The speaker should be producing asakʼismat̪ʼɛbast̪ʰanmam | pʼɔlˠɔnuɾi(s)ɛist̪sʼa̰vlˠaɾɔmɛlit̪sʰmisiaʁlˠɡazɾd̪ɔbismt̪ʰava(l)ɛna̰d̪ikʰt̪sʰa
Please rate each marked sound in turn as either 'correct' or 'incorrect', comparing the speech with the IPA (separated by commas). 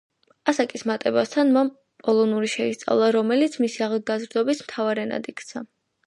incorrect, incorrect